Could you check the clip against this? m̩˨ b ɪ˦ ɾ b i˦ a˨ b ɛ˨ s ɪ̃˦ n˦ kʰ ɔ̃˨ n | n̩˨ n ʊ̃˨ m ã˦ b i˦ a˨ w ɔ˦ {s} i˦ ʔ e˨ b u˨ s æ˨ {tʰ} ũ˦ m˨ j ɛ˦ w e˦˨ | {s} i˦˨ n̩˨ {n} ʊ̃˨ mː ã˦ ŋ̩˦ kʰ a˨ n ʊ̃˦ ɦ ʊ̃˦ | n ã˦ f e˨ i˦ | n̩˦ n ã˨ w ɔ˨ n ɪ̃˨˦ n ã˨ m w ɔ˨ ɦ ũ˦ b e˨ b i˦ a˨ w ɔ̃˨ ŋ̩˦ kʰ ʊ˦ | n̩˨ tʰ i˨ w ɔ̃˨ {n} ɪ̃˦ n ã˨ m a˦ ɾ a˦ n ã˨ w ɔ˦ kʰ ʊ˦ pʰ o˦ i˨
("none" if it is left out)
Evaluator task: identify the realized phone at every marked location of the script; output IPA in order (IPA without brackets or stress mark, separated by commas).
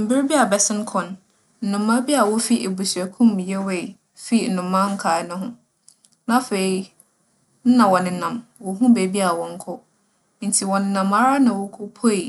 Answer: f, kʰ, f, n, n